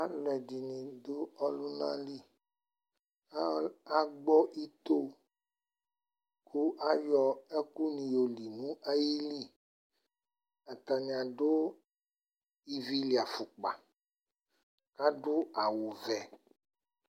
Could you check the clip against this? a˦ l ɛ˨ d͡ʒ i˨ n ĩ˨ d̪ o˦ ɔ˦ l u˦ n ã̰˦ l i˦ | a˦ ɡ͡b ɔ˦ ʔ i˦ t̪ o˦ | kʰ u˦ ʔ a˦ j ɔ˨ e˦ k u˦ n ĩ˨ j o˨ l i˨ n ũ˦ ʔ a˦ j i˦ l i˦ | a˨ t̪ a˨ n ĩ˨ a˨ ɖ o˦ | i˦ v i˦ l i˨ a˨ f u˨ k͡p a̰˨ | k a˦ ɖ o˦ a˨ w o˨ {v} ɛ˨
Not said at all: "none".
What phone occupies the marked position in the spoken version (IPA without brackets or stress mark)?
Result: v